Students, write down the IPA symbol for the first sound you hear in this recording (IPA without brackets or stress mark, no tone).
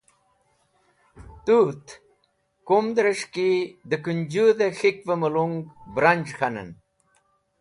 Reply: t̪